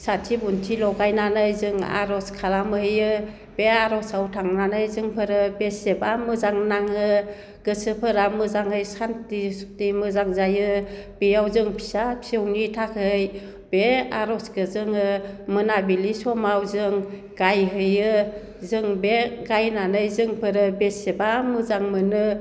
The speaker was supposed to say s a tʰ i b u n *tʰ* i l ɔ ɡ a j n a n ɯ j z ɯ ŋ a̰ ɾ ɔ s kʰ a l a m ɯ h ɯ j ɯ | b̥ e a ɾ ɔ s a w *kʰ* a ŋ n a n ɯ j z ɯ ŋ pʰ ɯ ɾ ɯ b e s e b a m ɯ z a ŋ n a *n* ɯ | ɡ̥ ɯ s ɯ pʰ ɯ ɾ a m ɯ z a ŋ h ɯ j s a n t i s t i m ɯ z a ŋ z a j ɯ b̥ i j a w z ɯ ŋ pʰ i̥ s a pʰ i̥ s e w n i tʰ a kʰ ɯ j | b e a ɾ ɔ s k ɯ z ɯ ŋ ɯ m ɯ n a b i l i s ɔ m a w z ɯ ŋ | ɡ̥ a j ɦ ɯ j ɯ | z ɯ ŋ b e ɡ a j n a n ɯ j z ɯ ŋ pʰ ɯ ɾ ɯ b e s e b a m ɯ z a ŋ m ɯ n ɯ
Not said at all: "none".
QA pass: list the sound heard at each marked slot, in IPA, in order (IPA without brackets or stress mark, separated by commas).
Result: tʰ, tʰ, ŋ